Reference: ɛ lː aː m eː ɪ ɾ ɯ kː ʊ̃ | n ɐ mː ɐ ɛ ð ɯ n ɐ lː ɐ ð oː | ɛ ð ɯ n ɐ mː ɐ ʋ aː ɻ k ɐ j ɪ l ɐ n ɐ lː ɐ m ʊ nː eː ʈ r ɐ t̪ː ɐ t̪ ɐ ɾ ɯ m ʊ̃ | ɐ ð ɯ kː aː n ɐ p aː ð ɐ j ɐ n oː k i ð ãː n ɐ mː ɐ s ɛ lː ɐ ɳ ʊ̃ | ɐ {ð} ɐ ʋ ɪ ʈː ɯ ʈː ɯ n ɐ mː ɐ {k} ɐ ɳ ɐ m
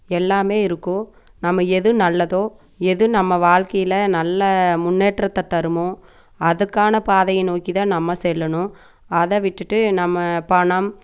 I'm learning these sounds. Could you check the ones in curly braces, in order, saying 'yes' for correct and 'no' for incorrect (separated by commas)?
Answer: yes, no